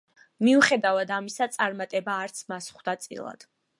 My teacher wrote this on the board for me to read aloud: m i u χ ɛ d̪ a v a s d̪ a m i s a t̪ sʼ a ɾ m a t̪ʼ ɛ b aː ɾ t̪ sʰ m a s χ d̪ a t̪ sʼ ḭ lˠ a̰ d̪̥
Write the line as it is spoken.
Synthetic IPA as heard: m i u χ ɛ d̪ a v a d̪ a m i s a t̪ sʼ a ɾ m a t̪ʼ ɛ b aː ɾ t̪ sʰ m a s χ d̪ a t̪ sʼ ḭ lˠ a̰ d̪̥